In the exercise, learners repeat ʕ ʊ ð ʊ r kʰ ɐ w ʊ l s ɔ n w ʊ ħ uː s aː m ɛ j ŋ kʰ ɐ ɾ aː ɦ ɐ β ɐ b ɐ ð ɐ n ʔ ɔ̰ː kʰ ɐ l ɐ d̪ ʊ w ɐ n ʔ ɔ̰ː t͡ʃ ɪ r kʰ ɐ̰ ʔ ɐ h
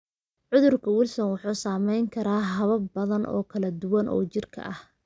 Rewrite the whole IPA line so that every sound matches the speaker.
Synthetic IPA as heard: ʕ ʊ ð ʊ r kʰ ɐ w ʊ l s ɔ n w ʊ ħ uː s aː m ɛ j ŋ kʰ ɐ ɾ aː ɦ ɐ β ɐ b ɐ ð ɐ n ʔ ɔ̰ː kʰ ɐ l ɐ d̪ ʊ w ɐ n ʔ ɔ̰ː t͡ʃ ɪ r kʰ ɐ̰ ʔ ɐ h